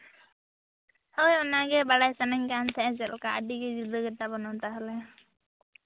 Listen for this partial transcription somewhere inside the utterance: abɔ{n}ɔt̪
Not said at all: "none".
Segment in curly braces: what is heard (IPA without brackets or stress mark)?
n